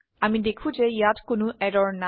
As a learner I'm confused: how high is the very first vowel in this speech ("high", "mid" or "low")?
low